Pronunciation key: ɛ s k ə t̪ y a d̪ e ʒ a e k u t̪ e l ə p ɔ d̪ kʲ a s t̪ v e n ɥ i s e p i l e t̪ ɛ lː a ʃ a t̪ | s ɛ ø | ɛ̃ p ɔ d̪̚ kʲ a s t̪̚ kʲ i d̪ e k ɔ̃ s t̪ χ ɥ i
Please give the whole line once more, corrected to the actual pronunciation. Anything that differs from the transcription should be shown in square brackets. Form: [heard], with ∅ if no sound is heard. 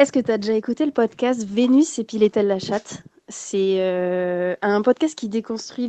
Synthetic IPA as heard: ɛ s k ə t̪ y a d̪ e ʒ a e k u t̪ e l ə p ɔ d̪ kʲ a s t̪ v e n ɥ i s e p i l e t̪ ɛ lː a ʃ a t̪ | s ɛ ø | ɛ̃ p ɔ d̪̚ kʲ a s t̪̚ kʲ i d̪ e k ɔ̃ s t̪ χ ɥ i